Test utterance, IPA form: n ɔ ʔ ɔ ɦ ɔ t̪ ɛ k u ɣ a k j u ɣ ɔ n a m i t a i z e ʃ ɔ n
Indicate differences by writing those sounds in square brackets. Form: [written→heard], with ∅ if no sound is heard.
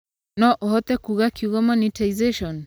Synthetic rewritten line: n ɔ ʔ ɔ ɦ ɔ t̪ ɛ k u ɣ a k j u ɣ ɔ [n→m] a [m→n] i t a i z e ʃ ɔ n